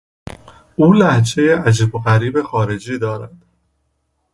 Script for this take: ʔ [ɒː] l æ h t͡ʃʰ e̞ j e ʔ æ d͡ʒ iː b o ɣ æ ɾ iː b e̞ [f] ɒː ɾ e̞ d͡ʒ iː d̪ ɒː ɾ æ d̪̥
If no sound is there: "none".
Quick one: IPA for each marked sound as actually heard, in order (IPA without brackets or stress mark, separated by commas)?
uː, x